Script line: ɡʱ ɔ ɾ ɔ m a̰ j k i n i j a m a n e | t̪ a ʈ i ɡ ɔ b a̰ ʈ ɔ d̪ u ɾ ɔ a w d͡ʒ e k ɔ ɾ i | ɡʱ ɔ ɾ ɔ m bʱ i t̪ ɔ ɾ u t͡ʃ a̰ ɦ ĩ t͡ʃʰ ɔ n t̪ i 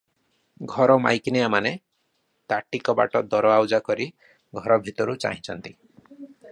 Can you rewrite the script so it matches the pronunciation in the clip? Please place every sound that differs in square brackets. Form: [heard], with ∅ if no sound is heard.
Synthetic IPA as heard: ɡʱ ɔ ɾ ɔ m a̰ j k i n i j a m a n e | t̪ a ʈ i [k] ɔ b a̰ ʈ ɔ d̪ [ɔ] ɾ ɔ a w d͡ʒ [a] k ɔ ɾ i | ɡʱ ɔ ɾ ɔ [∅] bʱ i t̪ ɔ ɾ u t͡ʃ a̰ ɦ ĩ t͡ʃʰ ɔ n t̪ i